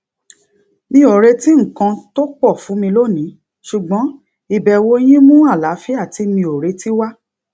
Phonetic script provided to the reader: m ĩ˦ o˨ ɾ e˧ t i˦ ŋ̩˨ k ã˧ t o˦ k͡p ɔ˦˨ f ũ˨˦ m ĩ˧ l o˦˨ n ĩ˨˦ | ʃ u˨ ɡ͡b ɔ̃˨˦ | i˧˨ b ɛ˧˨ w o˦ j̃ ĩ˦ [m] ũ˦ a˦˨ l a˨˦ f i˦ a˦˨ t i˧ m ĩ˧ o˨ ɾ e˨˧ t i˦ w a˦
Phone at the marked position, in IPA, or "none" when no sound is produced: m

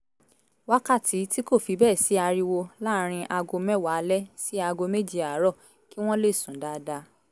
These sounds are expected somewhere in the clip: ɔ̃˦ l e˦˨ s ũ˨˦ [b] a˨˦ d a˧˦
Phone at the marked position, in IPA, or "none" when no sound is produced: d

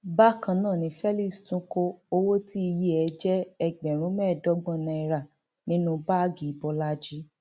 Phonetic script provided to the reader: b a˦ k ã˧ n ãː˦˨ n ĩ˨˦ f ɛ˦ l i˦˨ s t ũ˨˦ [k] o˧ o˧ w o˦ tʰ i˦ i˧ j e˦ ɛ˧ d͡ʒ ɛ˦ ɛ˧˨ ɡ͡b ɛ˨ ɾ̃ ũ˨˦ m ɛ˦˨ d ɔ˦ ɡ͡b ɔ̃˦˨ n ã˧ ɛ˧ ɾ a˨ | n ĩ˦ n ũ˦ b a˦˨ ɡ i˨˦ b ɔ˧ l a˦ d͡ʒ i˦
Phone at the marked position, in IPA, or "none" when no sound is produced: k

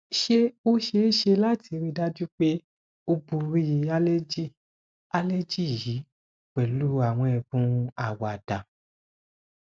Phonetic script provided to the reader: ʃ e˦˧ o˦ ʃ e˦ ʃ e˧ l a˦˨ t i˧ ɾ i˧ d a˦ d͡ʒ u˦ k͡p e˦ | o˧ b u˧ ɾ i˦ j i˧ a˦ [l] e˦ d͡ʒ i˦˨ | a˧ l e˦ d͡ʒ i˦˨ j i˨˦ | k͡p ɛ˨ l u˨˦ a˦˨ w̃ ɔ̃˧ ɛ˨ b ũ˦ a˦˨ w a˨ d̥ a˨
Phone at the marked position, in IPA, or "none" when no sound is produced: l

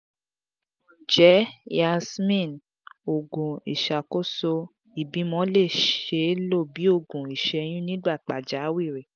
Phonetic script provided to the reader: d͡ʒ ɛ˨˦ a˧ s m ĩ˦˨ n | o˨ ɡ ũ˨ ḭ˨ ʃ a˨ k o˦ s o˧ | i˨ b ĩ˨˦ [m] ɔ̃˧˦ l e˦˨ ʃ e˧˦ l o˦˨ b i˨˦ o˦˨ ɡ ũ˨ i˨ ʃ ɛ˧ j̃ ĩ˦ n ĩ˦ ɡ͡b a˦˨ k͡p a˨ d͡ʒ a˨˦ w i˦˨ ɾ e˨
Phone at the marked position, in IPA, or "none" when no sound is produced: m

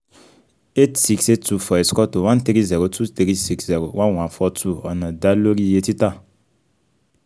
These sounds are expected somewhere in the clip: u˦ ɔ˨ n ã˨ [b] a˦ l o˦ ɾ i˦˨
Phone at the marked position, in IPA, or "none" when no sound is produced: d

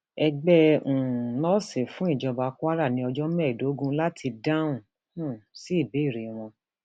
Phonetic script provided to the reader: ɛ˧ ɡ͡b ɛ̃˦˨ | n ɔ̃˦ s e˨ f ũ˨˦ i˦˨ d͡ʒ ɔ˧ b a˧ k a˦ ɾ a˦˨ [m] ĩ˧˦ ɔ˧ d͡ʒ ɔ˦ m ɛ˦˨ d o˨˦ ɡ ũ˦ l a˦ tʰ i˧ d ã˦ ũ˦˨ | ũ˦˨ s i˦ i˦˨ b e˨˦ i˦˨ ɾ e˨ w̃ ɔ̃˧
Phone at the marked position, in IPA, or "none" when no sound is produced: n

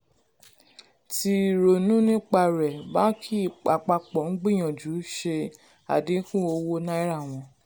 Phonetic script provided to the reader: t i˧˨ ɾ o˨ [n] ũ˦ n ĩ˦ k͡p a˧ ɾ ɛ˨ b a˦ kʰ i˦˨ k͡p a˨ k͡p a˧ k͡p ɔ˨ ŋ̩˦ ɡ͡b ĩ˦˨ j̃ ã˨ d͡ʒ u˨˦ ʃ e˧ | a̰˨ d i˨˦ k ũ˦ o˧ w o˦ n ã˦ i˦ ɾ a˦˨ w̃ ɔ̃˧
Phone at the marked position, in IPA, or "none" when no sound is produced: n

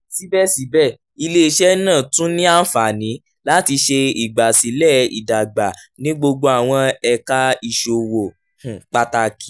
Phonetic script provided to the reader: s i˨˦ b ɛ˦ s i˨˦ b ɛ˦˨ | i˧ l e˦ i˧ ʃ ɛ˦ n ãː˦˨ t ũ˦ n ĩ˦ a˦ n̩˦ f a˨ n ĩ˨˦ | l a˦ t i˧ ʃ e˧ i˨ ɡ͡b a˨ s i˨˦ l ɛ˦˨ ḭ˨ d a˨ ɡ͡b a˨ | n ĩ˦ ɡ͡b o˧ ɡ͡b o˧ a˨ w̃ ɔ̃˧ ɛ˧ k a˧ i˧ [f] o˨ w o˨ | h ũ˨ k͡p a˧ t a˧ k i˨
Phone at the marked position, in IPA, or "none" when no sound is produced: ʃ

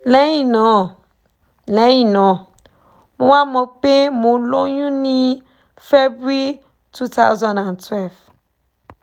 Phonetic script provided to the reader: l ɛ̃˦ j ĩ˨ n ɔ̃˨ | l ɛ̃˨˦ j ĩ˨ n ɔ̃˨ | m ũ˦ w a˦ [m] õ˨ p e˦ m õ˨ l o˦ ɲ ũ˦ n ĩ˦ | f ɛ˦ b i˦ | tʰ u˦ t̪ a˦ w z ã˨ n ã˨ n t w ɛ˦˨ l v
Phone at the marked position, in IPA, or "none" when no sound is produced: m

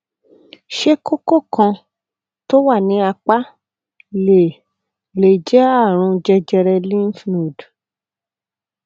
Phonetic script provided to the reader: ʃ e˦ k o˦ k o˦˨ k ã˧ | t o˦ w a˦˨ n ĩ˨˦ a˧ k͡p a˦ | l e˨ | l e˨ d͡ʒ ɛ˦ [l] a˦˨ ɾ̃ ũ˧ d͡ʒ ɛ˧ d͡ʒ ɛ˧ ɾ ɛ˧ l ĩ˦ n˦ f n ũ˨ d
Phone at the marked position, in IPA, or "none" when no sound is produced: none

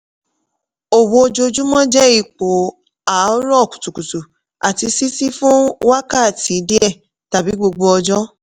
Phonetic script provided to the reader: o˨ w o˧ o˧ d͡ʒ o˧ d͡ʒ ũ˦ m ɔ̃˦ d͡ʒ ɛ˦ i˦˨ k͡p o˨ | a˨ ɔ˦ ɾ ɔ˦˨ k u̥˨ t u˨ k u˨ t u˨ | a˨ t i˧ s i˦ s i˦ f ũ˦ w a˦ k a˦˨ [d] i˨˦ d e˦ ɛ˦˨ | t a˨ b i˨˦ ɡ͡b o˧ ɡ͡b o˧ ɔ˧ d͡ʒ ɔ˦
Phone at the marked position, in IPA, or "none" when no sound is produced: t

